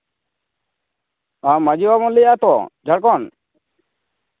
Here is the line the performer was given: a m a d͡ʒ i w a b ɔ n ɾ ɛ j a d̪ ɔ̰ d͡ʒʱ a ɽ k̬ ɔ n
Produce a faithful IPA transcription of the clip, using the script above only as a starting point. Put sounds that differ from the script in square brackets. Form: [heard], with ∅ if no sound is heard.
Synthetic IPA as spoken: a m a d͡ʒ i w a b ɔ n [l] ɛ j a [t̪] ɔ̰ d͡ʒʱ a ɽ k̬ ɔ n